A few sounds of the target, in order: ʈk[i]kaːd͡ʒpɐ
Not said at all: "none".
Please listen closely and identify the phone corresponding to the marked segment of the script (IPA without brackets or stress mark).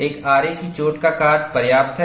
a